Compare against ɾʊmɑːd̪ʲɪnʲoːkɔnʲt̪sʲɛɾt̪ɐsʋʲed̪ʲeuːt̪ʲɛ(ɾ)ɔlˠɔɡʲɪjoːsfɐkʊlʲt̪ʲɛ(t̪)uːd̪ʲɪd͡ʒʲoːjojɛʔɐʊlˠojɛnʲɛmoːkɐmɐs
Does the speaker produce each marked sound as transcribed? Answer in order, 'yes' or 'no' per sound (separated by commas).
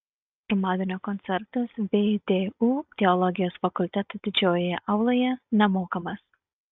no, yes